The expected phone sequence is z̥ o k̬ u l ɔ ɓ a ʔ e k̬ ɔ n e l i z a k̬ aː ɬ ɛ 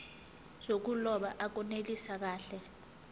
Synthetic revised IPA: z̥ o k̬ u l ɔ ɓ a ʔ a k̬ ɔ n e l i s a k̬ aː ɬ ɛ